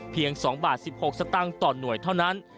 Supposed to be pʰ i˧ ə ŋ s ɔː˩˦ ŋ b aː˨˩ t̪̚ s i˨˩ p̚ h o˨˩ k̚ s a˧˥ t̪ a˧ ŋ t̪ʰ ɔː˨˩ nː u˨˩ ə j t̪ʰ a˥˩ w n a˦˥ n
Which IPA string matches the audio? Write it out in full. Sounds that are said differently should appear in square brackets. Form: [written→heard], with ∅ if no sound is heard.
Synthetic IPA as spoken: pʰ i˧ ə ŋ s ɔː˩˦ ŋ b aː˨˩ t̪̚ s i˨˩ p̚ h o˨˩ k̚ s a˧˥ t̪ [a˧→a˥˩] ŋ [t̪ʰ→t̪] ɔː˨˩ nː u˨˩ ə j t̪ʰ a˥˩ w n a˦˥ n